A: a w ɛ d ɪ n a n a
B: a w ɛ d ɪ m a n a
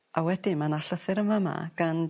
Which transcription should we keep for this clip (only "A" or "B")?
B